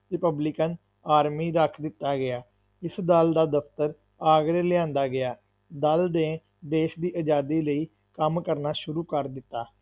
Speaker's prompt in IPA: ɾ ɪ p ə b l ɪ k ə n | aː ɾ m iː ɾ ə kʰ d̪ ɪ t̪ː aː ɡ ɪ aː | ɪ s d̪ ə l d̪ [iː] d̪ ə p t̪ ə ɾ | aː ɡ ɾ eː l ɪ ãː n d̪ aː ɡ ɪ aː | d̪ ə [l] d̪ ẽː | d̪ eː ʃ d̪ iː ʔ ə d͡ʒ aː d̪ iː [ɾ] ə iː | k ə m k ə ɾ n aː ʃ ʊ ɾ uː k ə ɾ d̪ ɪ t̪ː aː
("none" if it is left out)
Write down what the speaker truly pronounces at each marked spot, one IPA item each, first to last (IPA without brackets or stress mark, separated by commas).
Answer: aː, l, l